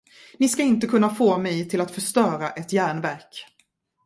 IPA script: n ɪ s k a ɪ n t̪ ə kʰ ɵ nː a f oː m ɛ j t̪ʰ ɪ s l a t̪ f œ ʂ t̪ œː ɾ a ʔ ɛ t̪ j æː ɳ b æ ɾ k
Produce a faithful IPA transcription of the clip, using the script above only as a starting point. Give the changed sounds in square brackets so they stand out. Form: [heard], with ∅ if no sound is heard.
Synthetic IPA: n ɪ s k a ɪ n t̪ ə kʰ ɵ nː a f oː m ɛ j t̪ʰ ɪ [∅] l a t̪ f œ ʂ t̪ œː ɾ a ʔ ɛ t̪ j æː ɳ [v] æ ɾ k